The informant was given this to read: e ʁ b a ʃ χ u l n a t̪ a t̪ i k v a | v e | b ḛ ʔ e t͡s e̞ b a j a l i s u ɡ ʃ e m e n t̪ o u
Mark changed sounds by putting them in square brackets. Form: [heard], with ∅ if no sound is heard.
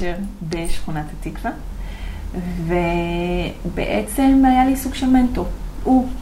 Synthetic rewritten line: e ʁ b [e] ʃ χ u [∅] n a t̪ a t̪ i k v a | v e | b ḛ ʔ e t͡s e̞ [m] a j a l i s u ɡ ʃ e m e n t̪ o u